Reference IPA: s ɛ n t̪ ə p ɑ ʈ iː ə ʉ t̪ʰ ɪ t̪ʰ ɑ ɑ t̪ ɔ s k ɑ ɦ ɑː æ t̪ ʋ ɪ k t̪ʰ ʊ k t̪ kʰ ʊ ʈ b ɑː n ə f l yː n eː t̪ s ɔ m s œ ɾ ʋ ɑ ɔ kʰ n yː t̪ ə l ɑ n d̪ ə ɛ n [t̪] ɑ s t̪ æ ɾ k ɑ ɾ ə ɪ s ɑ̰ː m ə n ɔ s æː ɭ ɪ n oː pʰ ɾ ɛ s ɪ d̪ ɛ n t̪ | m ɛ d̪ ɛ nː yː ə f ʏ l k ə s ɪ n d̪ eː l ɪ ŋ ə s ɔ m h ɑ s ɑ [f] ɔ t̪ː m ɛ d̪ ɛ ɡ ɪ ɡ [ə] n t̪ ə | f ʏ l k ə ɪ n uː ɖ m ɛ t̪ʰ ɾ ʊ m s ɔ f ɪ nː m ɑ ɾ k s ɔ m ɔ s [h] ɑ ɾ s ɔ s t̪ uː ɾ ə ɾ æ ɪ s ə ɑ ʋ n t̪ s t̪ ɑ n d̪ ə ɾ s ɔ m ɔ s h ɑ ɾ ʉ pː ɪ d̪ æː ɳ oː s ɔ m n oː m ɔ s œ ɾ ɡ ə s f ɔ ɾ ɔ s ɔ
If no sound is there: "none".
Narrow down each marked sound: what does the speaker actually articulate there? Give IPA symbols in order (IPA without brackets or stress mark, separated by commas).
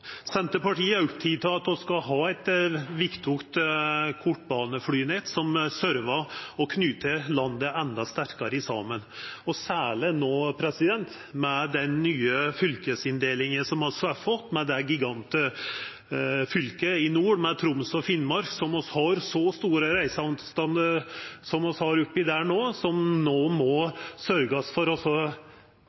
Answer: d̪, f, ɑ, h